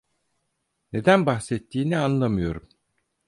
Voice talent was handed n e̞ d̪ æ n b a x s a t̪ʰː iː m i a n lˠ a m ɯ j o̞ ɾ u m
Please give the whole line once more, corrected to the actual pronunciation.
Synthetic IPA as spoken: n e̞ d̪ æ n b a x s ɛ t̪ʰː iː n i a n lˠ a m ɯ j o̞ ɾ u m